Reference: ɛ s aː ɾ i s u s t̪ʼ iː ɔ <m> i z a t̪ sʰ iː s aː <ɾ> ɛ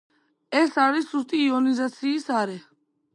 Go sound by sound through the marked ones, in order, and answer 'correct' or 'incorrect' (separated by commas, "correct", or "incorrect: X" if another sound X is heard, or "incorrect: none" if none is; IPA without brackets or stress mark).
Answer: incorrect: n, correct